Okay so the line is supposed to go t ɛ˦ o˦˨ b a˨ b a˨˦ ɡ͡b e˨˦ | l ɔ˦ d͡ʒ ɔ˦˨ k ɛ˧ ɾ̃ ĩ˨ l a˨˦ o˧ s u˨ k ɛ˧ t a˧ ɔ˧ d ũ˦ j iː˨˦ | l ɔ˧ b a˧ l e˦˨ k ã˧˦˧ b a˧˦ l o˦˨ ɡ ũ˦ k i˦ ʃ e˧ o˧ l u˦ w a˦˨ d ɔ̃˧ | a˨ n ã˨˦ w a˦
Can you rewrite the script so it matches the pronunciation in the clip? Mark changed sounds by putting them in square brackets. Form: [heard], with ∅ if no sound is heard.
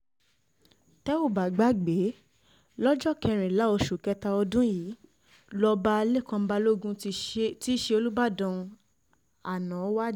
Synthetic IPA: t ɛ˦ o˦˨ b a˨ [ɡ͡b] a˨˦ ɡ͡b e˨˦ | l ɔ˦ d͡ʒ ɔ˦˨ k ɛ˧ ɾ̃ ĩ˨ l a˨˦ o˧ [ʃ] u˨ k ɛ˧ t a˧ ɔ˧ d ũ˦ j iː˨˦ | l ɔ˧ b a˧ l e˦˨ k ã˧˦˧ b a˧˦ l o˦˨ ɡ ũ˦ [t] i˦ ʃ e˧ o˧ l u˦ [b] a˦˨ d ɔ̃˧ | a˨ n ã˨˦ w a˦